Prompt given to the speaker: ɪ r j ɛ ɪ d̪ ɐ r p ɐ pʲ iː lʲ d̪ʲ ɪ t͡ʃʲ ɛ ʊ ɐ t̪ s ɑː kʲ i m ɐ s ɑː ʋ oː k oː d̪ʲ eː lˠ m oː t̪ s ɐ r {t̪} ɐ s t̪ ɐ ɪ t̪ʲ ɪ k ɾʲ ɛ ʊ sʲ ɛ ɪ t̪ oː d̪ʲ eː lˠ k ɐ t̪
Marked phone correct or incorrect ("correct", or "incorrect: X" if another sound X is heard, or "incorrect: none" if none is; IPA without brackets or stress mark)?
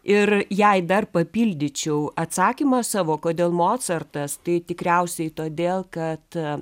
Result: correct